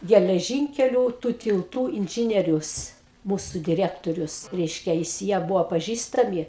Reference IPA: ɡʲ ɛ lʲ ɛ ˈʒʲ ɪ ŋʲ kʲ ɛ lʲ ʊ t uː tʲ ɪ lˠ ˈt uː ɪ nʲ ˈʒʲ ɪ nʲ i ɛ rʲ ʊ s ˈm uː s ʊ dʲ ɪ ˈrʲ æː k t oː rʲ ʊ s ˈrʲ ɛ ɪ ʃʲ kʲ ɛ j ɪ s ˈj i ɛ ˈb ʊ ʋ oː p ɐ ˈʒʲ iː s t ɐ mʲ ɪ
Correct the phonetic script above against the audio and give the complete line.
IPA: ɡʲ ɛ lʲ ɛ ˈʒʲ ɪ ŋʲ kʲ ɛ lʲ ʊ t uː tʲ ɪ lˠ ˈt uː ɪ nʲ ˈʒʲ ɪ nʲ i ɛ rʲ ʊ s ˈm uː s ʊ dʲ ɪ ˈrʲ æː k t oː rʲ ʊ s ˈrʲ ɛ ɪ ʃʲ kʲ ɛ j ɪ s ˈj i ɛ ˈb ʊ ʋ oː p ɐ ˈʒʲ iː s t ɐ mʲ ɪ